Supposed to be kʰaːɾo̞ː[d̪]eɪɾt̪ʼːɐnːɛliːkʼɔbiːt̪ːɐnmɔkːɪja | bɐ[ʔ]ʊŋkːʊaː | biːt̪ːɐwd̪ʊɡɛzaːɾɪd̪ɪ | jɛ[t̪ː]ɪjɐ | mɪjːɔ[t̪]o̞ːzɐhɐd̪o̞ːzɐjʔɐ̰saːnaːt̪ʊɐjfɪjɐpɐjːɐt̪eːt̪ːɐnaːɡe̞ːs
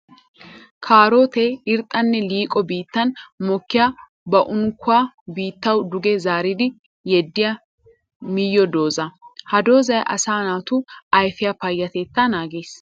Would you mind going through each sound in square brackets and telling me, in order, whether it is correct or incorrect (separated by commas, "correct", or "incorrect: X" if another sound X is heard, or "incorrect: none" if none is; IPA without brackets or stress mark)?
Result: incorrect: t̪, correct, incorrect: d̪ː, incorrect: d̪